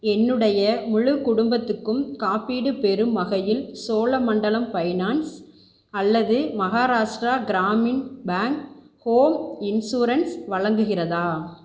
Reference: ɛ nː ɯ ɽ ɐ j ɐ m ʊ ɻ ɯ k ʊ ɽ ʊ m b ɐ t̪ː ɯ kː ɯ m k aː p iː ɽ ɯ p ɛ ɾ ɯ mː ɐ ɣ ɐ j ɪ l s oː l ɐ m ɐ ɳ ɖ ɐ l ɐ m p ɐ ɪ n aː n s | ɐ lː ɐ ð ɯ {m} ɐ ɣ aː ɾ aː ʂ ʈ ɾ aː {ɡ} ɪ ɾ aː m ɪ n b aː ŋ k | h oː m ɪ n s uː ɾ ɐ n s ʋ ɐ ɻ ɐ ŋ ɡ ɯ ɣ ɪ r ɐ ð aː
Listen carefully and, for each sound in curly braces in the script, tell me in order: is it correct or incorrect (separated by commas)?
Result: correct, correct